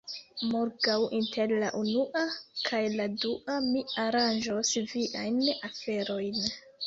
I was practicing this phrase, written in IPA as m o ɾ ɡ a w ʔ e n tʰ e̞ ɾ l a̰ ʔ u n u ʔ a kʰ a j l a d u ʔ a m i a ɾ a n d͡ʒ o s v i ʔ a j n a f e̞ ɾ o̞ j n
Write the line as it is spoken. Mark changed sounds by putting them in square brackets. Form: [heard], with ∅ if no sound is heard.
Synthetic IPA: m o ɾ ɡ a w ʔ [i] n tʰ e̞ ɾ l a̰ ʔ u n u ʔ a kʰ a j l a d u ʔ a m i a ɾ a n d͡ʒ o s v i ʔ a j n a f e̞ ɾ o̞ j n